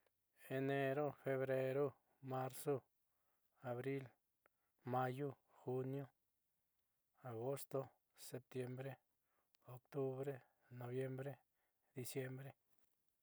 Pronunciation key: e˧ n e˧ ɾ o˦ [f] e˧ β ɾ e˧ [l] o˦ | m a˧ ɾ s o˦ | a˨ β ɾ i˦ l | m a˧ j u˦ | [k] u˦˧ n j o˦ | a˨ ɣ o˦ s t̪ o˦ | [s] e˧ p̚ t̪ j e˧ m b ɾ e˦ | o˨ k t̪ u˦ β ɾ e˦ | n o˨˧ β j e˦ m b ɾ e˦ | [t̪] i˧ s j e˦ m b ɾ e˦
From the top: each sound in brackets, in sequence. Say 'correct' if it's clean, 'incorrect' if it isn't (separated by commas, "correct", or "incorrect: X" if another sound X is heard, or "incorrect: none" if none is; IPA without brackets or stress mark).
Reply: correct, incorrect: ɾ, incorrect: x, correct, incorrect: d̪